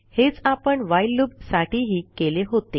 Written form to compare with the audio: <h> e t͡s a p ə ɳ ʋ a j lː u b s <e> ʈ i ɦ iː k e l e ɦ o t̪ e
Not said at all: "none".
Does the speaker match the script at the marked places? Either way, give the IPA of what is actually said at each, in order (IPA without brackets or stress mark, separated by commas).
h, a